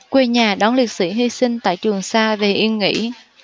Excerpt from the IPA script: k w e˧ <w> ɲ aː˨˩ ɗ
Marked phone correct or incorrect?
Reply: incorrect